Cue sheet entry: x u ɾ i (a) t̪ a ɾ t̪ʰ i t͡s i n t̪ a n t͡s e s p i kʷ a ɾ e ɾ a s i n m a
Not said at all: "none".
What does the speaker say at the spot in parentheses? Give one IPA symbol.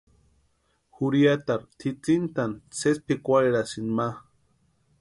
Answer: a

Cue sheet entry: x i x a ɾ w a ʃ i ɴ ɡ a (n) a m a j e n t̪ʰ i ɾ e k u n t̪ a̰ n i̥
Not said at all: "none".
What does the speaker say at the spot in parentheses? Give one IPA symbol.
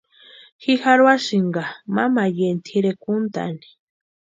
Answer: m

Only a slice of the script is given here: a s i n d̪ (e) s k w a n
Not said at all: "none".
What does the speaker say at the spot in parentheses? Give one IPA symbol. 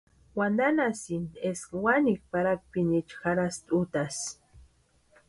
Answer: e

